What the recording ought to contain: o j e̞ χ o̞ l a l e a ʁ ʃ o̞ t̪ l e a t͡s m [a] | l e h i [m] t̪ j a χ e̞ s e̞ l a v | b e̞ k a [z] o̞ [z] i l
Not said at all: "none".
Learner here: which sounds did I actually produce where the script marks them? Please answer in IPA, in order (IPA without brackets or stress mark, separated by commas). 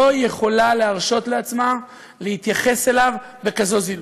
a, none, z, z